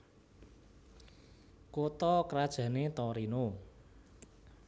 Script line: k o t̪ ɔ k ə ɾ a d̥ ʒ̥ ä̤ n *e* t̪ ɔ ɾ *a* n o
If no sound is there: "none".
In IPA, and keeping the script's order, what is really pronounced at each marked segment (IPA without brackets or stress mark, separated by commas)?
e, i